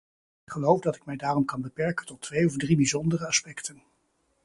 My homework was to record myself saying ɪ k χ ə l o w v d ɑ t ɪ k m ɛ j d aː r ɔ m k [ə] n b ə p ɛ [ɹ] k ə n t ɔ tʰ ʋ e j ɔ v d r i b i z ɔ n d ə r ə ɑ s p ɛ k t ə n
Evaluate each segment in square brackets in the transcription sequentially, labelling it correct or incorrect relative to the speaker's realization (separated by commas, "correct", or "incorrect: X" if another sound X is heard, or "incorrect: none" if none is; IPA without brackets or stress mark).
incorrect: ɑ, correct